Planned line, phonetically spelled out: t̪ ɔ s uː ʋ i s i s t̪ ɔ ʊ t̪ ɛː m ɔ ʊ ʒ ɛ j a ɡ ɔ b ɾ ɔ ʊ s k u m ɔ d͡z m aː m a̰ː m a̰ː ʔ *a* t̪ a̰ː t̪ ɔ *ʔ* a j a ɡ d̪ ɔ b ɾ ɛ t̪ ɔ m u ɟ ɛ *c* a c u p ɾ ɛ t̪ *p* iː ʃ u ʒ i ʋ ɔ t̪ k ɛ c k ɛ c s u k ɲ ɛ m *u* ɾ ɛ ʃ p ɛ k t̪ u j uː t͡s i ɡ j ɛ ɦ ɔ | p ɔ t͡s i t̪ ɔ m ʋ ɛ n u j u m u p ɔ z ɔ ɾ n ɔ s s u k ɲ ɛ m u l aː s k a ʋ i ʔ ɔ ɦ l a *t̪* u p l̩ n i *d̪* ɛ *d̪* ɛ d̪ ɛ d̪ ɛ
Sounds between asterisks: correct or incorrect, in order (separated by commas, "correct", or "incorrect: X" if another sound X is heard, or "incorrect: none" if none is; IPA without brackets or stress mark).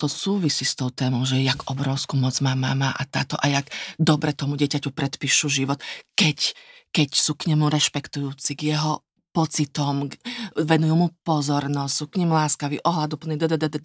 correct, correct, correct, correct, correct, incorrect: d̪, correct, correct